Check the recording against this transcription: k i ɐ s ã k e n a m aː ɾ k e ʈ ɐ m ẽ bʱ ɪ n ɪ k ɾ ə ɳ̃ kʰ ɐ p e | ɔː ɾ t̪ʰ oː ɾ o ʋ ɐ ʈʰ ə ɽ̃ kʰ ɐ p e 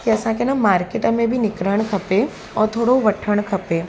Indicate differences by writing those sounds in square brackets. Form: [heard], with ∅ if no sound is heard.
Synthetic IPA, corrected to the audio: k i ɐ s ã k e n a m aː ɾ k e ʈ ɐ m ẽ bʱ [i] n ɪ k ɾ ə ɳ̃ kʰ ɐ p e | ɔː ɾ t̪ʰ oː [ɽ] o ʋ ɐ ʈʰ ə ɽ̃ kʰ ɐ p e